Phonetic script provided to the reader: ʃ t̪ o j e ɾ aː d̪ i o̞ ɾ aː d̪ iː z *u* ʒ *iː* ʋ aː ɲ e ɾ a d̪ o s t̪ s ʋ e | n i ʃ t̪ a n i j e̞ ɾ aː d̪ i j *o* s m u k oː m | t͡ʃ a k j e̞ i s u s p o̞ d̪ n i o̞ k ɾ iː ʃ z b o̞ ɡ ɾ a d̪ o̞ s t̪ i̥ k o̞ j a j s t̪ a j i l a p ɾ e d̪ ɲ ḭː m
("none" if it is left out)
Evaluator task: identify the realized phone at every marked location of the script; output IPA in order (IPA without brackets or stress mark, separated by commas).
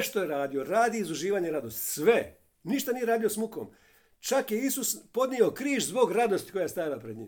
u, iː, o